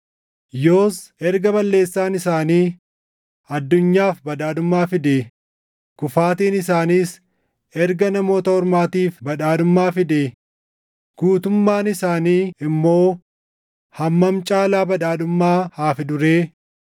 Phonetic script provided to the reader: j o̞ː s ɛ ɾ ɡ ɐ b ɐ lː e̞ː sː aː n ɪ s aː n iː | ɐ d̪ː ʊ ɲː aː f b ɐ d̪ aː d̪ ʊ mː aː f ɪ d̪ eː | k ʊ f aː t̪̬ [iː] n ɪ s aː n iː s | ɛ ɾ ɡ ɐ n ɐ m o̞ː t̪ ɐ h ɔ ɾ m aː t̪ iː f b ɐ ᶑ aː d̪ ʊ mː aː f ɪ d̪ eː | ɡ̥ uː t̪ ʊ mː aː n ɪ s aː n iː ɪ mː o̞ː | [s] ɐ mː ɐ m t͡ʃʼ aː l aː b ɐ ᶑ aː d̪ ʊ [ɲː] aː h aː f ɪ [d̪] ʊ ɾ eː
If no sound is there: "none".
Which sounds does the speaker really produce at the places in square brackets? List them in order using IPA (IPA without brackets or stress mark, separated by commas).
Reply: iː, h, mː, d̪